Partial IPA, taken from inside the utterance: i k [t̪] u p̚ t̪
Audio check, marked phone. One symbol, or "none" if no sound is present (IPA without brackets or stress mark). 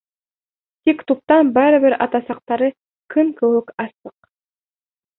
t̪